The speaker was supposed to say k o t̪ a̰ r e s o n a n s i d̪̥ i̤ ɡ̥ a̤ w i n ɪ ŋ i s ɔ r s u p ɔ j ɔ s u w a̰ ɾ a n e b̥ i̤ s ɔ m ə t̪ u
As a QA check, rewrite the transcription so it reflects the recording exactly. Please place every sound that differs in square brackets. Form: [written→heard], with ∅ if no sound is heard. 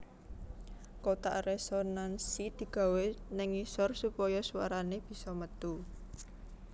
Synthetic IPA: k o t̪ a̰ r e s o n a n s i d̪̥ i̤ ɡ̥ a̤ w [i→e] n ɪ ŋ i s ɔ r s u p ɔ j ɔ s u w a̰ ɾ a n e b̥ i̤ s ɔ m ə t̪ u